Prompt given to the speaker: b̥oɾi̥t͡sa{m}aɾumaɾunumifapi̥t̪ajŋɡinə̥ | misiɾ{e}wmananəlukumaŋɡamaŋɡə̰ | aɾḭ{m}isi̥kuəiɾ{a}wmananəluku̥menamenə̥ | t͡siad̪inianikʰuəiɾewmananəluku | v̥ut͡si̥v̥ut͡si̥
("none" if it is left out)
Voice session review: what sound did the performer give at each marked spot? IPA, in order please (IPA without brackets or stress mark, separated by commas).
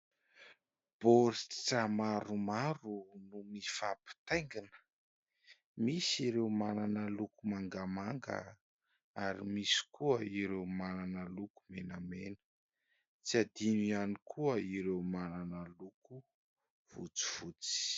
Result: m, e, m, e